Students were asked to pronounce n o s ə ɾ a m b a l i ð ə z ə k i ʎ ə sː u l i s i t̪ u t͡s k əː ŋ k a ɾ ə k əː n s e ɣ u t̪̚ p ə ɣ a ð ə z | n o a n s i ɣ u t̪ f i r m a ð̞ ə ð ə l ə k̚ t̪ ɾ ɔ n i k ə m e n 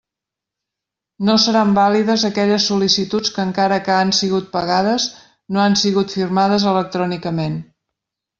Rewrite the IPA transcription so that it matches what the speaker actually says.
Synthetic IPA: n o s ə ɾ a m b a l i ð ə z ə k ɛ ʎ ə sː u l i s i t̪ u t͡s k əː ŋ k a ɾ ə k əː n s i ɣ u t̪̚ p ə ɣ a ð ə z | n o a n s i ɣ u t̪ f i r m a ð̞ ə z ə l ə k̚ t̪ ɾ ɔ n i k ə m e n